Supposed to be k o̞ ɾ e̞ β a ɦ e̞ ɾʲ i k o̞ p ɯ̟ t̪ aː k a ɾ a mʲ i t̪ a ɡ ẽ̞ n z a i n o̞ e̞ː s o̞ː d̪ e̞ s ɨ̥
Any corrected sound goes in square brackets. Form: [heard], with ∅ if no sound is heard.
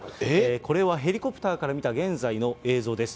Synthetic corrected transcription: k o̞ ɾ e̞ β a ɦ e̞ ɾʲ i k o̞ p ɯ̟ t̪ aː k a ɾ a mʲ i t̪ a ɡ ẽ̞ n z a i n o̞ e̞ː [z] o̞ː d̪ e̞ s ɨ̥